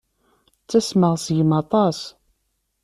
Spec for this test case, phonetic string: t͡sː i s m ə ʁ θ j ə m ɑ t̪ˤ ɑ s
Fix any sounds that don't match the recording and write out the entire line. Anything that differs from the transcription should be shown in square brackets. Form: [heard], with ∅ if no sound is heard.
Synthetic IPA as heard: t͡sː [æ] s m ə ʁ [s] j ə m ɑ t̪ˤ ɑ s